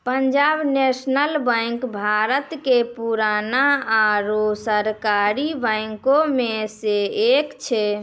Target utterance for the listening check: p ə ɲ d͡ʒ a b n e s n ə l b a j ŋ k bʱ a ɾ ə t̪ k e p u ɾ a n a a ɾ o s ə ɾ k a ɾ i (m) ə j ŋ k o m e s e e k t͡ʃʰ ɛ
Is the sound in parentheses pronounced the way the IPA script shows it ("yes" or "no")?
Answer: no